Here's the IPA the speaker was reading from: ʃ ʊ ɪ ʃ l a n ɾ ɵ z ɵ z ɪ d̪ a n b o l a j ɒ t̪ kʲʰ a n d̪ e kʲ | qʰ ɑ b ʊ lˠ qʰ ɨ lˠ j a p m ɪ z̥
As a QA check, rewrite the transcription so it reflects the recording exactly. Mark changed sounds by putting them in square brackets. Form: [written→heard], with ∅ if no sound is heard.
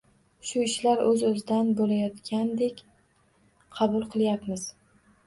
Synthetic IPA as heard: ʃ ʊ ɪ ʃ l a [n→∅] ɾ ɵ z ɵ z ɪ d̪ a n b o l a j ɒ t̪ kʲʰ a n d̪ e kʲ | qʰ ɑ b ʊ lˠ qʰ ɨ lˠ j a p m ɪ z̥

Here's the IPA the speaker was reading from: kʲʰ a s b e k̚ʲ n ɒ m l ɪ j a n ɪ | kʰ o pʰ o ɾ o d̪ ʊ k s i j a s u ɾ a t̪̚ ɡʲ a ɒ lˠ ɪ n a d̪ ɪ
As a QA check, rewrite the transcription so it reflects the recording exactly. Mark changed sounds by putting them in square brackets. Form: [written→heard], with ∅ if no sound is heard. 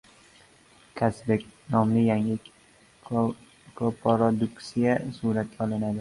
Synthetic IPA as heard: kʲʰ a s b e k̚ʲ n ɒ m l ɪ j a [n→ŋ] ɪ | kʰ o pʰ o ɾ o d̪ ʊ k s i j a s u ɾ a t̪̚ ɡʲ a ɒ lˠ ɪ n a d̪ ɪ

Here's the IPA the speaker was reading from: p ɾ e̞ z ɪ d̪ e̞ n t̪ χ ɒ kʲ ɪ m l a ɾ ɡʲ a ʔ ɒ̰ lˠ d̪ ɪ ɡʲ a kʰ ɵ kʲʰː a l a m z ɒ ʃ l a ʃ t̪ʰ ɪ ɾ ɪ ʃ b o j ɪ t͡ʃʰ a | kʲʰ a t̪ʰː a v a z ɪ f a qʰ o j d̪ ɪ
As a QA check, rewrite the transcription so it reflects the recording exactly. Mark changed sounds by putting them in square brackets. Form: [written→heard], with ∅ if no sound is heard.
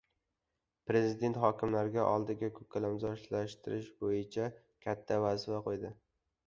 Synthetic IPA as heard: p ɾ e̞ z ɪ d̪ e̞ n t̪ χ ɒ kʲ ɪ m l a ɾ ɡʲ a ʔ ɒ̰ lˠ d̪ ɪ ɡʲ a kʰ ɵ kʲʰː a l a m z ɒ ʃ l a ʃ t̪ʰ ɪ ɾ ɪ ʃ b o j ɪ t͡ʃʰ a | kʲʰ a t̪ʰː a v a z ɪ f a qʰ o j d̪ ɪ

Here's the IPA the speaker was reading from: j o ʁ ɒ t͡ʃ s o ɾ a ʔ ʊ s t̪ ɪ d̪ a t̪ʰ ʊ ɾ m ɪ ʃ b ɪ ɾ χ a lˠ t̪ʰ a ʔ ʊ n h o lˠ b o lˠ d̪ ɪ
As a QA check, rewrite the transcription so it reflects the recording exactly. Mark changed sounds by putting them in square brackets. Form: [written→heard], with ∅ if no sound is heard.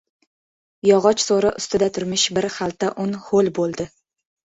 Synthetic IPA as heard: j [o→ɒ] ʁ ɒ t͡ʃ s o ɾ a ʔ ʊ s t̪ ɪ d̪ a t̪ʰ ʊ ɾ m ɪ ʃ b ɪ ɾ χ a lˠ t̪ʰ a ʔ ʊ n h o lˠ b o lˠ d̪ ɪ

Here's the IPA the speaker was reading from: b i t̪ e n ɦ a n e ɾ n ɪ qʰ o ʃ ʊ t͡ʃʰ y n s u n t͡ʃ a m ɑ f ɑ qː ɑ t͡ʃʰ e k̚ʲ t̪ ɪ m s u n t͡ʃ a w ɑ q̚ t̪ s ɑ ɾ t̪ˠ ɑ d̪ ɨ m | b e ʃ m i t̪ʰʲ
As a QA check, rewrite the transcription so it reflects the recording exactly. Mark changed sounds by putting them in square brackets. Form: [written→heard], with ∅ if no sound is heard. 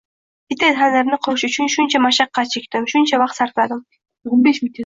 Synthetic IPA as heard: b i t̪ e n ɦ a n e ɾ n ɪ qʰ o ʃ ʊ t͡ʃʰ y n [s→ʃ] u n t͡ʃ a m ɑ [f→ʃ] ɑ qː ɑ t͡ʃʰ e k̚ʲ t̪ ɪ m [s→ʃ] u n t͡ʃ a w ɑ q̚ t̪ s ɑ ɾ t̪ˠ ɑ d̪ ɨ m | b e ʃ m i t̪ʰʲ

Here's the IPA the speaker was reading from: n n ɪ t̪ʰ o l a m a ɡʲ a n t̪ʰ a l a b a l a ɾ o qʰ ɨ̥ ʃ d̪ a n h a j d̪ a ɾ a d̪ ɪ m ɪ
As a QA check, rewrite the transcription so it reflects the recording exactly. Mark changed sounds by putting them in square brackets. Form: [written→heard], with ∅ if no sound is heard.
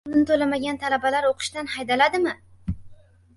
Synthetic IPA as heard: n n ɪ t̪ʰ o l a m a ɡʲ a n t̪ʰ a l a b a l a ɾ o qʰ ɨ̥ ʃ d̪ a n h a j d̪ a [ɾ→l] a d̪ ɪ m ɪ

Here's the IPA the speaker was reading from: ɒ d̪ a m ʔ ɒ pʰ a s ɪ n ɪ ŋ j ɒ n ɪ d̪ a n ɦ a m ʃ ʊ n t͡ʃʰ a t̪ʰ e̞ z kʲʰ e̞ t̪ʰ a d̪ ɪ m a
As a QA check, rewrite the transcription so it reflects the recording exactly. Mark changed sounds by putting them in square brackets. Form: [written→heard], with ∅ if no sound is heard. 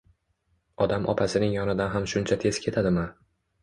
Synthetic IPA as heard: ɒ d̪ a m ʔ ɒ pʰ a s ɪ n ɪ ŋ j ɒ n ɪ d̪ a n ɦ a m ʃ ʊ n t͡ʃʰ a t̪ʰ e̞ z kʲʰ e̞ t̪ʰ a d̪ ɪ m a

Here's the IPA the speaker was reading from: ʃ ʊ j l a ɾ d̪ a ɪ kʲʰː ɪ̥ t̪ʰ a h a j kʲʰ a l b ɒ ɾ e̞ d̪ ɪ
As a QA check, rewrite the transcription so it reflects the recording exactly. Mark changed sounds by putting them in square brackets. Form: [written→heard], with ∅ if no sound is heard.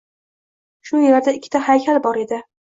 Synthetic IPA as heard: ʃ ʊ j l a ɾ d̪ a ɪ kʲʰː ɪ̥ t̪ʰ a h a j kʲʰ a l b ɒ ɾ e̞ d̪ ɪ

